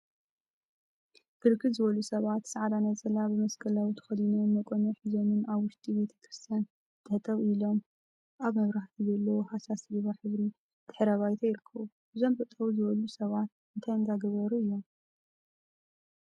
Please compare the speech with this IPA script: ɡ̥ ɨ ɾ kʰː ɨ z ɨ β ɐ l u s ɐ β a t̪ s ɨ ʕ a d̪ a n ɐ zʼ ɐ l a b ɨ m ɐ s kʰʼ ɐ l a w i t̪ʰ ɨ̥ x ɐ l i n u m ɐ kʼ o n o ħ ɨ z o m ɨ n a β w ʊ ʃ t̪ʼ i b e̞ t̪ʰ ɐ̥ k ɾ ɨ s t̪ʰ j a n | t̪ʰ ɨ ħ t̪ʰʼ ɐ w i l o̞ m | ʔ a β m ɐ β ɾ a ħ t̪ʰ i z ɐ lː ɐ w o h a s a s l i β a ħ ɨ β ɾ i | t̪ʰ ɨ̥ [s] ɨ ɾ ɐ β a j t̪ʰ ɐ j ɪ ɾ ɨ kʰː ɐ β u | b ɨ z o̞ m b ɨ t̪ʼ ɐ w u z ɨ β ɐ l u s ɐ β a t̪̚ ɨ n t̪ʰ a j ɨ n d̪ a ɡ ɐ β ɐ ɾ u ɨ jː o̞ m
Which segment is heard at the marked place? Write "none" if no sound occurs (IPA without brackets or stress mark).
ħ